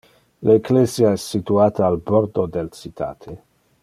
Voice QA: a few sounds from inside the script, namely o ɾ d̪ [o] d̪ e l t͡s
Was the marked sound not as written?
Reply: no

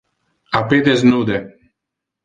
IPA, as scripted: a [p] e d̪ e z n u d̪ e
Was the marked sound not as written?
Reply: no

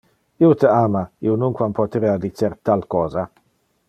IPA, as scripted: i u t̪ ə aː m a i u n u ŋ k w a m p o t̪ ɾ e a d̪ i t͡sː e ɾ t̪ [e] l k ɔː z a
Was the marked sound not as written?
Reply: yes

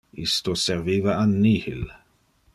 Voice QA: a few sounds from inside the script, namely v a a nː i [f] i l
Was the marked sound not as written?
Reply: yes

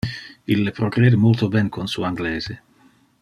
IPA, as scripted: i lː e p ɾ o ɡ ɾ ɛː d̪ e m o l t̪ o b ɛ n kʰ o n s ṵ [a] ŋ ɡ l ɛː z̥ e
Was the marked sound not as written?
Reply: no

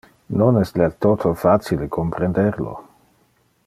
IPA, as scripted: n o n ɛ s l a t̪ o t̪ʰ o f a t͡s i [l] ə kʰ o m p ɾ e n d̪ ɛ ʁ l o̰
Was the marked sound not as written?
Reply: no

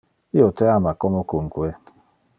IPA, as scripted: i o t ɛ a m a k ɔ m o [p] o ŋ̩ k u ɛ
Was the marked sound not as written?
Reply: yes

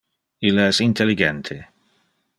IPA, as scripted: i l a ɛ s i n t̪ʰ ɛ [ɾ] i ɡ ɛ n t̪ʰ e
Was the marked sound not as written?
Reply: yes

